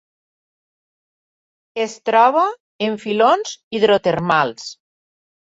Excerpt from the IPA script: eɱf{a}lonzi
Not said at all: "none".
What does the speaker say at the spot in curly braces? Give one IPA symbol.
i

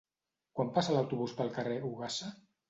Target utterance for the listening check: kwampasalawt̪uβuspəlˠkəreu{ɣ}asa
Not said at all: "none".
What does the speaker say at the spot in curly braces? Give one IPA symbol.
ɣ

